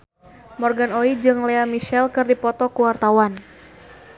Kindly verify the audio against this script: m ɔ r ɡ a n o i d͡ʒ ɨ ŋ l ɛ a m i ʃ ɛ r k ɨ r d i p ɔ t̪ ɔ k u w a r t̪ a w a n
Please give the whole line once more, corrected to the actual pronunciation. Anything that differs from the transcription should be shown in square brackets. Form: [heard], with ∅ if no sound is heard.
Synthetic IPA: m ɔ r ɡ a n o i d͡ʒ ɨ ŋ l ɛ a m i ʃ ɛ [l] k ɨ r d i p ɔ t̪ ɔ k u w a r t̪ a w a n